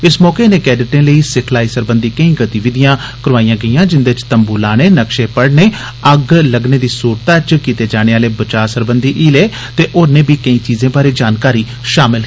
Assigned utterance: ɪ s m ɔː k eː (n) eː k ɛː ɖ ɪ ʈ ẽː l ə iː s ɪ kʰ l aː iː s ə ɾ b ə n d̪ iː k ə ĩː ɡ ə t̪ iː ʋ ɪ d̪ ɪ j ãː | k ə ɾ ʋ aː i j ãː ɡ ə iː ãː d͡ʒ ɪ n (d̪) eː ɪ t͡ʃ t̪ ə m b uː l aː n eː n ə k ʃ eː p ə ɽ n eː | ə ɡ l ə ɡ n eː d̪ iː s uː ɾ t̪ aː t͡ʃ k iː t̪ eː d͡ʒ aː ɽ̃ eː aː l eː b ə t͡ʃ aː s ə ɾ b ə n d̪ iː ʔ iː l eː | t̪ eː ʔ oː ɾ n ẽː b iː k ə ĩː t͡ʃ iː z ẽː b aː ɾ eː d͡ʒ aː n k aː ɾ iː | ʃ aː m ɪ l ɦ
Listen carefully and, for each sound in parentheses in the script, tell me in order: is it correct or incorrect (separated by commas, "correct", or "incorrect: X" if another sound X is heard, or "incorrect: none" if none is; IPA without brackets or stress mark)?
correct, correct